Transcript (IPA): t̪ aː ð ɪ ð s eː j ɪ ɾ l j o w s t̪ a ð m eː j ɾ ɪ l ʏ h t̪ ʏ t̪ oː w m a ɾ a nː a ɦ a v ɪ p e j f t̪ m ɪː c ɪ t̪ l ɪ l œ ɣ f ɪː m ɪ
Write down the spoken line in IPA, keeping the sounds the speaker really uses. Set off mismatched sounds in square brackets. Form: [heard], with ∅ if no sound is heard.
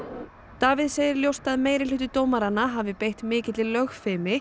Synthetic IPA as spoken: t̪ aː [v] ɪ ð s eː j ɪ ɾ l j o w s t̪ a ð m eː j ɾ ɪ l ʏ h t̪ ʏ t̪ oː w m a ɾ a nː a ɦ a v ɪ p e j [h] t̪ m ɪː c ɪ t̪ l ɪ l œ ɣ f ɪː m ɪ